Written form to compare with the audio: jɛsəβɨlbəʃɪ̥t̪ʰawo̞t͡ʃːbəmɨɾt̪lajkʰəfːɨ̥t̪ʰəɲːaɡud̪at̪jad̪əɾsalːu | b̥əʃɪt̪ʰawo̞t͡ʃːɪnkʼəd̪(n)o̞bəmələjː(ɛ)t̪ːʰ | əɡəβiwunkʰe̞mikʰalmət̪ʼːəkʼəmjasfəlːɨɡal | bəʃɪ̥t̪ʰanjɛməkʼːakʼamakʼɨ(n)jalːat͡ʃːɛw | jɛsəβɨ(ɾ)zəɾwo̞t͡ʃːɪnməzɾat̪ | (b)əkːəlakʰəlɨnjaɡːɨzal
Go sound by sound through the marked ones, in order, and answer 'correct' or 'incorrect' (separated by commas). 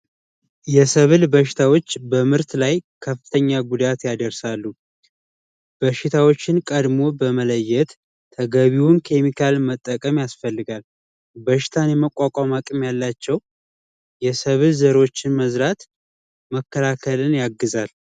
incorrect, correct, incorrect, incorrect, incorrect